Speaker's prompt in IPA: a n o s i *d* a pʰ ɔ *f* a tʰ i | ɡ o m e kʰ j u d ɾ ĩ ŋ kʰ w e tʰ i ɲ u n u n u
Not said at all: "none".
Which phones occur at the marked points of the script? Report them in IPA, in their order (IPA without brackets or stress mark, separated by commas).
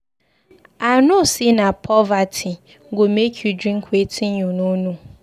n, v